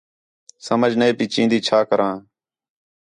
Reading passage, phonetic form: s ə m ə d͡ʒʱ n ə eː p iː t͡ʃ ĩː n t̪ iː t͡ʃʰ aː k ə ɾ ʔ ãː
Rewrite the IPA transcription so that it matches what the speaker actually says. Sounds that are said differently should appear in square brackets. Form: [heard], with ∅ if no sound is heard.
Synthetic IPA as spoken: s ə m ə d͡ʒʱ n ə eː p iː t͡ʃ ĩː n [d̪] iː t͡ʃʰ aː k ə ɾ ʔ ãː